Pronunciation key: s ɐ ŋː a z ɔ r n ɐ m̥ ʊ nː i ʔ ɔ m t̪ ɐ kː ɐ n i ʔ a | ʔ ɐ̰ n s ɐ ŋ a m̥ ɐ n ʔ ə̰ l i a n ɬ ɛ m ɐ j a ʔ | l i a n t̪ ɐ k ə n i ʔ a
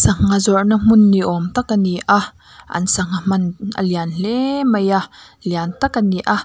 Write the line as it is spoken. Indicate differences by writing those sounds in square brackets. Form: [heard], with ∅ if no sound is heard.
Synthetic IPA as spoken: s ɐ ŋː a z ɔ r n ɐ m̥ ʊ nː i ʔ ɔ m t̪ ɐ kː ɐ n i ʔ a | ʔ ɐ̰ n s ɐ ŋ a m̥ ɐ n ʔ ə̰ l i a n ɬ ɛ m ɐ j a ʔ | l i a n t̪ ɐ k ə n i ʔ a